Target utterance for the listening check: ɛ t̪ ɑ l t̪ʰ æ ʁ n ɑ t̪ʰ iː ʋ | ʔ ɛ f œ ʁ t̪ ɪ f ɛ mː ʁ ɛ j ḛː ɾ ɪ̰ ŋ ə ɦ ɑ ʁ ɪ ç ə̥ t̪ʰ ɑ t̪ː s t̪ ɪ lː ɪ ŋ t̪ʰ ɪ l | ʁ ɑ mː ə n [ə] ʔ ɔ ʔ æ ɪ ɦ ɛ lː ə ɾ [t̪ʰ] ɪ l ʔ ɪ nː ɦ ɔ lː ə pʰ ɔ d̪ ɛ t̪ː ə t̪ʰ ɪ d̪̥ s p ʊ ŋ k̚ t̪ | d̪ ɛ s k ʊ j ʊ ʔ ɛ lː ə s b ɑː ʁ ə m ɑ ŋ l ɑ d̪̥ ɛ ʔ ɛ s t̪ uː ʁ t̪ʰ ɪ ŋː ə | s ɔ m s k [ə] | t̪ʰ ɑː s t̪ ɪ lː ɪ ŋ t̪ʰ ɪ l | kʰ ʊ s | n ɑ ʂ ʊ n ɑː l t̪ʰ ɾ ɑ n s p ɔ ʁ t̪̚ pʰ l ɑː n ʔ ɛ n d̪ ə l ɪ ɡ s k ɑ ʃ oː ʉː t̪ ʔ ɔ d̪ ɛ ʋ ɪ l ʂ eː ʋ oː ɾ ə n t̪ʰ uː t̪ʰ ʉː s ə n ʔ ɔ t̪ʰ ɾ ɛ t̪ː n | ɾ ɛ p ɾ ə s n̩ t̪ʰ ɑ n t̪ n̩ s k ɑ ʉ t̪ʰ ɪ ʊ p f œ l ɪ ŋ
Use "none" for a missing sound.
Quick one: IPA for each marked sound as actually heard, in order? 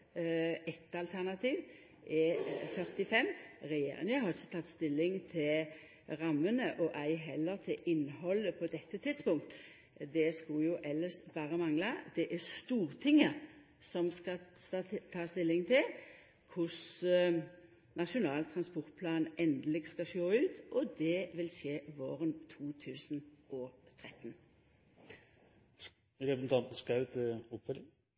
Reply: ə, t̪ʰ, ɑ

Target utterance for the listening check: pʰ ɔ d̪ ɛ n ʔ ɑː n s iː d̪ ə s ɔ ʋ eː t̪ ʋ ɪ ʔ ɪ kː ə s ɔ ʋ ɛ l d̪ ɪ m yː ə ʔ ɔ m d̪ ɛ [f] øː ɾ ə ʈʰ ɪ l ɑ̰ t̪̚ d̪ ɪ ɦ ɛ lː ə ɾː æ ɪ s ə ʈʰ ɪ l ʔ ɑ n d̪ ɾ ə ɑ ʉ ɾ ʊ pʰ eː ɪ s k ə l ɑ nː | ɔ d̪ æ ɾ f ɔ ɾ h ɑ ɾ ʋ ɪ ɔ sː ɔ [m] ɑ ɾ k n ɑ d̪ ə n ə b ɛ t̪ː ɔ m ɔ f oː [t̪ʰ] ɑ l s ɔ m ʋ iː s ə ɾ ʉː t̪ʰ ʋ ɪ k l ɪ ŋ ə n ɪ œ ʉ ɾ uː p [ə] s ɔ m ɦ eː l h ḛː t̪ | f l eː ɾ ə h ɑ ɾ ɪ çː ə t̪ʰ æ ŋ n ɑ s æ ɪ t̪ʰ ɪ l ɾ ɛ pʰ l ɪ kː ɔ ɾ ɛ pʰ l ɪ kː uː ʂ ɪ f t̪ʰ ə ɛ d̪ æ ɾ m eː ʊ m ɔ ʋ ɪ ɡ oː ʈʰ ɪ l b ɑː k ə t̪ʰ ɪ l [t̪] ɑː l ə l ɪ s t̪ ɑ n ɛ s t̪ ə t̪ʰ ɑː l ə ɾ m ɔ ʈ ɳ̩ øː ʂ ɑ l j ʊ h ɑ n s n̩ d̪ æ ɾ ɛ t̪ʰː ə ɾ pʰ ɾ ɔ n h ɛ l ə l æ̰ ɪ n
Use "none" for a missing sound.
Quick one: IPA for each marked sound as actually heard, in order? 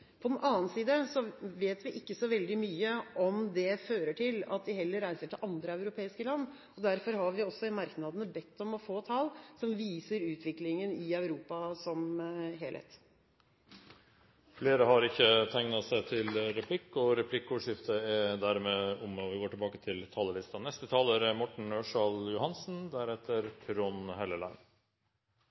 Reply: f, m, t̪ʰ, ɑ, t̪ʰ

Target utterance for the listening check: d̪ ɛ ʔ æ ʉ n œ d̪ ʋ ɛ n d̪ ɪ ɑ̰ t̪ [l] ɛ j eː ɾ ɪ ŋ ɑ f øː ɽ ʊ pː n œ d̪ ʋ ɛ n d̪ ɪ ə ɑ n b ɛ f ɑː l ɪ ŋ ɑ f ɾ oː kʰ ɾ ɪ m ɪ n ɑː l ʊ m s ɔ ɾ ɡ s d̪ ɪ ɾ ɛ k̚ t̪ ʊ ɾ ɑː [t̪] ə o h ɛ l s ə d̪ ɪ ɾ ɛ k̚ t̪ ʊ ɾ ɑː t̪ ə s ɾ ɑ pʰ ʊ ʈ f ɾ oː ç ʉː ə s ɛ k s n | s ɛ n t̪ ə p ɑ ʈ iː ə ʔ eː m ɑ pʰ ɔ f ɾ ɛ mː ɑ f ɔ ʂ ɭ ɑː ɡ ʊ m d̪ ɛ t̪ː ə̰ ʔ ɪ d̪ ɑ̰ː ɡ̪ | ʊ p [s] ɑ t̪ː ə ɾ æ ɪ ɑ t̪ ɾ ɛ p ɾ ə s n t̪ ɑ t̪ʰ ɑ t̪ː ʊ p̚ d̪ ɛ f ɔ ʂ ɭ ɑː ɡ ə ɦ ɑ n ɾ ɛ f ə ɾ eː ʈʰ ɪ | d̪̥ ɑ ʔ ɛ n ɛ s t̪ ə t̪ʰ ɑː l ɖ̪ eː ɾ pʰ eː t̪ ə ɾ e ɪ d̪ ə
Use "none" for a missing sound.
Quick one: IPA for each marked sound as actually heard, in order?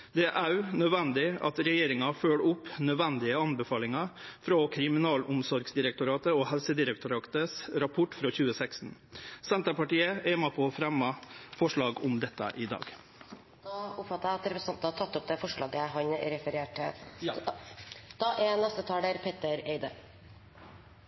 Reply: ɾ, t̪, f

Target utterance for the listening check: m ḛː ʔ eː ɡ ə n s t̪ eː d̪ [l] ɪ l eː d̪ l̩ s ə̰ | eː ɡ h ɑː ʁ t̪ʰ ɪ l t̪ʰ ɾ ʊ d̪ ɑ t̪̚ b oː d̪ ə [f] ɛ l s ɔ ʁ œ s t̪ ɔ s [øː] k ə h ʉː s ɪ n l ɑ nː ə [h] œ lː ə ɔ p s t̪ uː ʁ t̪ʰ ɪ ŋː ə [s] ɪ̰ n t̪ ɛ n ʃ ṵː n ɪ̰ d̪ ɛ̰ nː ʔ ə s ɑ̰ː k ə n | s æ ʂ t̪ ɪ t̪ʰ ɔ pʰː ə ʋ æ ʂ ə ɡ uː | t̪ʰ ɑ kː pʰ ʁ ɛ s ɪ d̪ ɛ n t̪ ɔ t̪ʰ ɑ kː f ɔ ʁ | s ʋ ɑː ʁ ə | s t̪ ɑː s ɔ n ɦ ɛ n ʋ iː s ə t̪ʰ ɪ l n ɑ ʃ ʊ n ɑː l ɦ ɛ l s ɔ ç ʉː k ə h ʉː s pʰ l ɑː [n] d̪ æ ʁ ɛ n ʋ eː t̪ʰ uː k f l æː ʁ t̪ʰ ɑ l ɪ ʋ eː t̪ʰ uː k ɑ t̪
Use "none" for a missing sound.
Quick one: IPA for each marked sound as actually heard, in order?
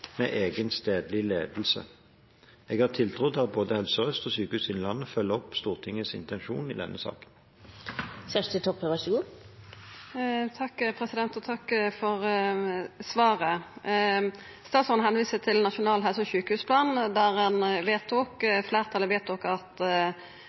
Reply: l, h, yː, f, s, n

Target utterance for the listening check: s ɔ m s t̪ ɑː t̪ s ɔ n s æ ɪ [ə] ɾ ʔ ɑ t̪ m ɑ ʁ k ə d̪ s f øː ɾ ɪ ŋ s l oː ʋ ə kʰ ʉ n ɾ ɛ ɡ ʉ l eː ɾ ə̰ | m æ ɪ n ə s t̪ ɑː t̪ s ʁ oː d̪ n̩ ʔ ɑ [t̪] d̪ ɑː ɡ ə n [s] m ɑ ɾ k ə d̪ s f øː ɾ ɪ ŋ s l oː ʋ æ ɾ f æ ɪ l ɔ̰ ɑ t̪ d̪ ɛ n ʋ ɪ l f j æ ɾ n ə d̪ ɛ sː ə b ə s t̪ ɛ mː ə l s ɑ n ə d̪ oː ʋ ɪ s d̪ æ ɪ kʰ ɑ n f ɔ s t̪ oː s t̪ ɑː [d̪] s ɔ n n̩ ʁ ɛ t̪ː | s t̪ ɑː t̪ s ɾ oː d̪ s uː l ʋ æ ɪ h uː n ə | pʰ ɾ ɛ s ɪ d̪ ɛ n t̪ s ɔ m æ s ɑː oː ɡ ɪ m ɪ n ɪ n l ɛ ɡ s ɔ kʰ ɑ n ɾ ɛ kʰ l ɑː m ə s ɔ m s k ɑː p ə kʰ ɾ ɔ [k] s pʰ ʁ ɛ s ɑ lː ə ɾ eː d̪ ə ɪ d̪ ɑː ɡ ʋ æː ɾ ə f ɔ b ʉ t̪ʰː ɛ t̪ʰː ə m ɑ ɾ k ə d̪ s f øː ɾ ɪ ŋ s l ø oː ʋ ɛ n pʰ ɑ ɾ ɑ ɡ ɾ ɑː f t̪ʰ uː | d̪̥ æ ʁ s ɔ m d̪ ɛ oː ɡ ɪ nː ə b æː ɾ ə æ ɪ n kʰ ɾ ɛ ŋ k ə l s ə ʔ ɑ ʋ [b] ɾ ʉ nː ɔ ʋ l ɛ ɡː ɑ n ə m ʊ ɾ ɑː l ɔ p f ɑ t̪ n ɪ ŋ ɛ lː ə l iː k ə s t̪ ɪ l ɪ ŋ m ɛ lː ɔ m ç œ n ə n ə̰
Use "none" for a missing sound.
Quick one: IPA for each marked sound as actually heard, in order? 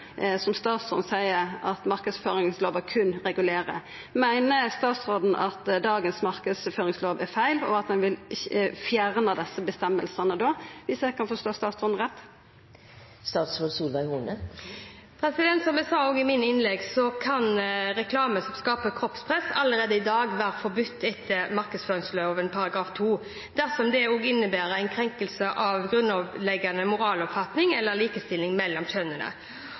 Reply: ə, t̪, s, t̪, p, ɡ

